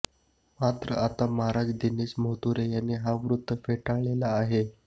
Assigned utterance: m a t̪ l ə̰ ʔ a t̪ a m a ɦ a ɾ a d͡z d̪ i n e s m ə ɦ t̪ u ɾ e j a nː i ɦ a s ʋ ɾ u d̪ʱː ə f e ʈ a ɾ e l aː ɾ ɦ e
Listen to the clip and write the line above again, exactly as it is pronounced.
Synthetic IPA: m a t̪ ɾ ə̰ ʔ a t̪ a m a ɦ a ɾ a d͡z d̪ i n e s m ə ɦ t̪ u ɾ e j a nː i ɦ a ʋ ɾ u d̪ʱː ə f e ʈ a ɭ e l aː ɦ e